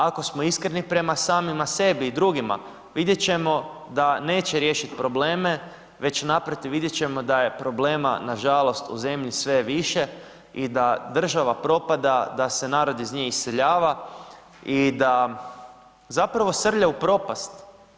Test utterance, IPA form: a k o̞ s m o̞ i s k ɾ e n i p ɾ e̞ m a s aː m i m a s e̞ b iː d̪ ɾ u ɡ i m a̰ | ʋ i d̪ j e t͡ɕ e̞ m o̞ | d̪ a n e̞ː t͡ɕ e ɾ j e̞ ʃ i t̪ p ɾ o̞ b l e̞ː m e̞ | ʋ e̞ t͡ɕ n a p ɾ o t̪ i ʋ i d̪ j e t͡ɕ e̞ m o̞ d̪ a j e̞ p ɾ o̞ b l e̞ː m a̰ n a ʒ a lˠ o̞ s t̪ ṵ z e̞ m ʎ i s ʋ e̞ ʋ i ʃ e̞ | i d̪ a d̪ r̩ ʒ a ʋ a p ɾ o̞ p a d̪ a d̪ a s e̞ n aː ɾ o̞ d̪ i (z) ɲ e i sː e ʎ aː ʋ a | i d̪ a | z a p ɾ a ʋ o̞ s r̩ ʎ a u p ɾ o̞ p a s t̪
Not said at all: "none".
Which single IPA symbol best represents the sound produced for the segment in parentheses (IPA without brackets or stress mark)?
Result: z